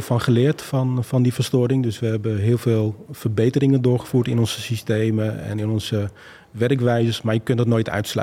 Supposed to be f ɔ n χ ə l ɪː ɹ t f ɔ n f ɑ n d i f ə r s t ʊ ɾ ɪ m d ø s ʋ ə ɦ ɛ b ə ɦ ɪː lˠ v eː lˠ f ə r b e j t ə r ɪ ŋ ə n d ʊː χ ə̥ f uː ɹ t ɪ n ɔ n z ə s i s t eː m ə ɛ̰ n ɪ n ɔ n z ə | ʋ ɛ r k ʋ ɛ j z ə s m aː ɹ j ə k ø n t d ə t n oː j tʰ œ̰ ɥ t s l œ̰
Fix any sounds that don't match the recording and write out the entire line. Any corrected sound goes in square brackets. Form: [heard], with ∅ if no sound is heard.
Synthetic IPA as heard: f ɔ n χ ə l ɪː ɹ t f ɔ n f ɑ n d i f ə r s t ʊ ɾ ɪ [ŋ] d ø s ʋ ə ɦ ɛ b ə ɦ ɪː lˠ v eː lˠ f ə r b e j t ə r ɪ ŋ ə n d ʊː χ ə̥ f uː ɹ t ɪ n ɔ n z ə s i s t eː m ə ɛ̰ n ɪ n ɔ n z ə | ʋ ɛ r k ʋ ɛ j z ə s m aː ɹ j ə k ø n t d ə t n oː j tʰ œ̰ ɥ t s l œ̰